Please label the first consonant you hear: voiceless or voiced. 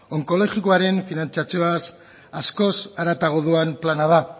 voiced